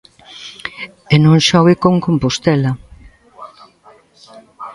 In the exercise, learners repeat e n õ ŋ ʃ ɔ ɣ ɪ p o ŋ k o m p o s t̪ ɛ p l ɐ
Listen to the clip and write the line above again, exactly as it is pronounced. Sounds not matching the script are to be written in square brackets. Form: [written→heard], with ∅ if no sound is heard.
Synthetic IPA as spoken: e n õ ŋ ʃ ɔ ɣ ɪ [p→k] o ŋ k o m p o s t̪ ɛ [p→∅] l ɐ